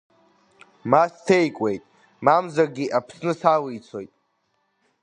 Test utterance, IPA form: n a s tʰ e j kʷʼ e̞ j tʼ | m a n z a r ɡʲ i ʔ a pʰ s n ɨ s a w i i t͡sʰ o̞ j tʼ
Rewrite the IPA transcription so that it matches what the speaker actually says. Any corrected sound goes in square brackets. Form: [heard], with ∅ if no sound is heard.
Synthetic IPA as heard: [m] a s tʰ e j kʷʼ e̞ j tʼ | m a [m] z a r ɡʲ i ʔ a pʰ s n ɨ s a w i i t͡sʰ o̞ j tʼ

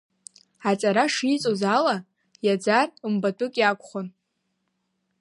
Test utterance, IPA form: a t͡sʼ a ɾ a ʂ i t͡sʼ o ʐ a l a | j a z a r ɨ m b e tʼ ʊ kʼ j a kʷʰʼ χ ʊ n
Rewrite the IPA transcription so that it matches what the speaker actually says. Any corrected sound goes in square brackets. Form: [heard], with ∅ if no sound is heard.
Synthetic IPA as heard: a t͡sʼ a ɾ a ʂ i t͡sʼ o [z] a l a | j a [d͡z] a r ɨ m b [a] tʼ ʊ kʼ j a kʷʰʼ χ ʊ n

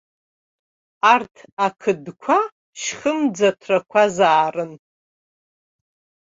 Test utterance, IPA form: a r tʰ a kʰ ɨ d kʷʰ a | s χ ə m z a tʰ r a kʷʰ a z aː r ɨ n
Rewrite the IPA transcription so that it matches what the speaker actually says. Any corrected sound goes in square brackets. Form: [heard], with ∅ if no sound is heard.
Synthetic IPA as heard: a r tʰ a kʰ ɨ d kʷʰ a | [ʃ] χ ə m [d͡z] a tʰ r a kʷʰ a z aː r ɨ n

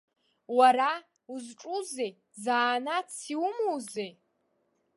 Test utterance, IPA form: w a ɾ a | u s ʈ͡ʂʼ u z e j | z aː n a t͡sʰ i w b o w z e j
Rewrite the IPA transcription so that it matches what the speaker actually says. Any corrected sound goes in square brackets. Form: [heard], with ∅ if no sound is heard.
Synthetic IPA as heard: w a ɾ a | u [z] ʈ͡ʂʼ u z e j | z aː n a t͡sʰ i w [m] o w z e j

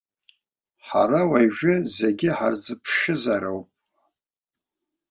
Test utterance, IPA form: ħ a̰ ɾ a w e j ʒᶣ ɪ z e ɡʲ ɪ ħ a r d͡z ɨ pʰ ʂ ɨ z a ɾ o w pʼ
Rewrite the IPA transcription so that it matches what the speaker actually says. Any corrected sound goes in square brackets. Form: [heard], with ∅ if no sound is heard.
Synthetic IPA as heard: ħ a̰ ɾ a w [a] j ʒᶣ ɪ z e ɡʲ ɪ ħ a r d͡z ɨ pʰ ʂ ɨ z a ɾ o w pʼ

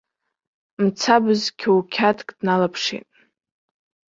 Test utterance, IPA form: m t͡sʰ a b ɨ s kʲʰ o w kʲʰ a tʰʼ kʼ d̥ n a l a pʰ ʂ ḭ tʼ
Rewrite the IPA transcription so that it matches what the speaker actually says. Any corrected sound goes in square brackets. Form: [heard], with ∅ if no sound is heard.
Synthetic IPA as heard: m t͡sʰ a b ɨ [z] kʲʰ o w kʲʰ a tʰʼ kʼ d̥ n a l a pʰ ʂ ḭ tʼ

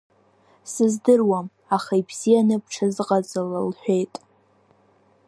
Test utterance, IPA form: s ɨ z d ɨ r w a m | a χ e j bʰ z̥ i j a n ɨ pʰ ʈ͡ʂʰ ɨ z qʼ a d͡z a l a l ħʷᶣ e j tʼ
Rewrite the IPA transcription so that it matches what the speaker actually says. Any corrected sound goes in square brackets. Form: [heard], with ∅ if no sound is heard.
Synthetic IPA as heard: s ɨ z d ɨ r w a m | a χ [a] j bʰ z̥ i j a n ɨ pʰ ʈ͡ʂʰ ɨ z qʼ a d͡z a l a l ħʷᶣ e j tʼ

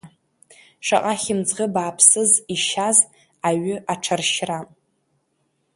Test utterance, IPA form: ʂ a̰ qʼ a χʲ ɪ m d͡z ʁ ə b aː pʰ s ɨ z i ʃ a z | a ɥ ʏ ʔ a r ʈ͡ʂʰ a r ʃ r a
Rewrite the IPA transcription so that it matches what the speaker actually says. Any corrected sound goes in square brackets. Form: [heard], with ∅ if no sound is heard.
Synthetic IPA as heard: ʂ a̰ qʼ a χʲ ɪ m d͡z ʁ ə b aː pʰ s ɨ z i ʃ a z | a ɥ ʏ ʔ a [∅] ʈ͡ʂʰ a r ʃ r a

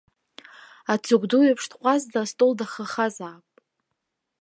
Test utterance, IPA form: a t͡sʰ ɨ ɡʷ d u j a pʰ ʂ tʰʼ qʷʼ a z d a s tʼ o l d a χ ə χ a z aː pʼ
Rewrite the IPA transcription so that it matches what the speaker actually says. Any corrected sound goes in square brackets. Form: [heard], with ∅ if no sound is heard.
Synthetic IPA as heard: a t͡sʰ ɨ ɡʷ d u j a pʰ ʂ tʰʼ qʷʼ a z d a s tʼ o l d a χ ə χ a z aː pʼ

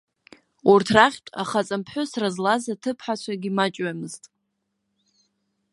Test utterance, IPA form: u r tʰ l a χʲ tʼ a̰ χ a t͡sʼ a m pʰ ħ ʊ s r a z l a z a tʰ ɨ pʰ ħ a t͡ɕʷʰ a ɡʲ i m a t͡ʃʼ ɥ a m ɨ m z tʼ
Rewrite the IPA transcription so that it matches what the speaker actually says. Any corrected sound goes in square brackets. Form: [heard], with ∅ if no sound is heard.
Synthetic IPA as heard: u r tʰ [r] a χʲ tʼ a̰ χ a t͡sʼ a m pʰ ħ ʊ s r a z l a z a tʰ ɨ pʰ ħ a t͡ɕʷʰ a ɡʲ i m a t͡ʃʼ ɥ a m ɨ [∅] z tʼ

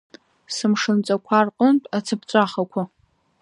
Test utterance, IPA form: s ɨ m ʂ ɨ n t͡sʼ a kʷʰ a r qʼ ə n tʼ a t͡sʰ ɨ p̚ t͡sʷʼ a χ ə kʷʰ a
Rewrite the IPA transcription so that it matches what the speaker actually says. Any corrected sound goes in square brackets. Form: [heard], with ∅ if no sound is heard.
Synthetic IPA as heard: s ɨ m ʂ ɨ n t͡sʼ a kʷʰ a r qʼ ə n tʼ a t͡sʰ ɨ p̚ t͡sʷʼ a χ [a] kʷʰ a

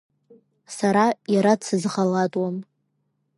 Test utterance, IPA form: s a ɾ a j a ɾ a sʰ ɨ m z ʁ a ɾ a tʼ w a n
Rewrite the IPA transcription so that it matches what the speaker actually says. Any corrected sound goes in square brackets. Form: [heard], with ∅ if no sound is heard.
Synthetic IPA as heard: s a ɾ a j a ɾ a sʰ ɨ [∅] z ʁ a [l] a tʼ w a [m]

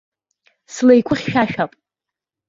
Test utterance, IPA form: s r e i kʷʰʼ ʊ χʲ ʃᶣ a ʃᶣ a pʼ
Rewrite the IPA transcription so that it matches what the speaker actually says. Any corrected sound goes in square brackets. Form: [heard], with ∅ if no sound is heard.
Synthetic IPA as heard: s [l] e [j] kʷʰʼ ʊ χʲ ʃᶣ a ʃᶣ a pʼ

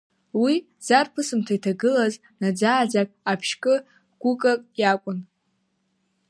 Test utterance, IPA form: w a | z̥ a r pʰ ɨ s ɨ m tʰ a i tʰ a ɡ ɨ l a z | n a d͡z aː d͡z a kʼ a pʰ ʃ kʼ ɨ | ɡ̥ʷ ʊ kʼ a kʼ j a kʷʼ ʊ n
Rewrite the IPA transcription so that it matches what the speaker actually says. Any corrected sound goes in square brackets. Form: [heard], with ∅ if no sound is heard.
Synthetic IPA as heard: w [i] | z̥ a r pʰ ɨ s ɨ m tʰ a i tʰ a ɡ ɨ l a z | n a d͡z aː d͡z a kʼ a pʰ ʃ kʼ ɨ | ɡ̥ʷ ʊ kʼ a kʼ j a kʷʼ ʊ n

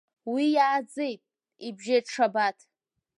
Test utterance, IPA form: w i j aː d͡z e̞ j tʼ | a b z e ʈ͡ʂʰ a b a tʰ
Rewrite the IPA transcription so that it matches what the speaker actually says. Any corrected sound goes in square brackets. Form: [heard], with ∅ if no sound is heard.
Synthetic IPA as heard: w i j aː d͡z e̞ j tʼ | [i] b [ʒ] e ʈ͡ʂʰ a b a tʰ

